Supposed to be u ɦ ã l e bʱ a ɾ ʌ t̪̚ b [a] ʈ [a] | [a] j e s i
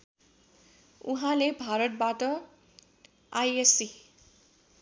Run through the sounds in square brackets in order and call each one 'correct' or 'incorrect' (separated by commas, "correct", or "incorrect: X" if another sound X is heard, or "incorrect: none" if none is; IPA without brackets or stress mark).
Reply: correct, incorrect: ʌ, correct